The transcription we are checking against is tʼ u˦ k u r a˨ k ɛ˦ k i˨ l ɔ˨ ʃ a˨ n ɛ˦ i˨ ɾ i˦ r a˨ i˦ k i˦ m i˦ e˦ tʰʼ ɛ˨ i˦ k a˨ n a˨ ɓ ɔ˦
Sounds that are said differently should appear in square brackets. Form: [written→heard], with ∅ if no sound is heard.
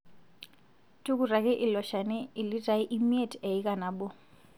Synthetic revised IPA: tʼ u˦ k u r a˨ k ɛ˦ [k→ʔ] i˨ l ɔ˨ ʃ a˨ n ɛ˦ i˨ [ɾ→l] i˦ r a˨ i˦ [k→ʔ] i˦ m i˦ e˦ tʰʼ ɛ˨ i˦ k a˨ n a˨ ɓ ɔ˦